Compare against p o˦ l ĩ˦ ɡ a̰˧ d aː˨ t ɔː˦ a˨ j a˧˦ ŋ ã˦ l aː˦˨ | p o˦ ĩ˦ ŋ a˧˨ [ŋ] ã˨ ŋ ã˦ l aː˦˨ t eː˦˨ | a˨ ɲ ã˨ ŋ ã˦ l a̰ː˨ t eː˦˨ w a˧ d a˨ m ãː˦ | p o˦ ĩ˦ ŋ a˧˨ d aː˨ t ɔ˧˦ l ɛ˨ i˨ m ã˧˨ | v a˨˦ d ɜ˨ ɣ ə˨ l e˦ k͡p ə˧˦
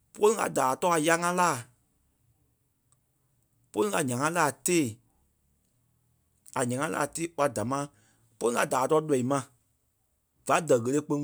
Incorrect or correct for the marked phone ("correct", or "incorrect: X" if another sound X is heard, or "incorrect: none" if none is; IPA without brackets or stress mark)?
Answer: incorrect: ɲ